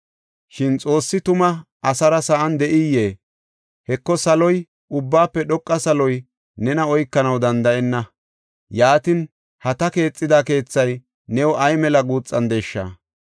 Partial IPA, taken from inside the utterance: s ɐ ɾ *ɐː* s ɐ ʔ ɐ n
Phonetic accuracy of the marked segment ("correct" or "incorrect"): incorrect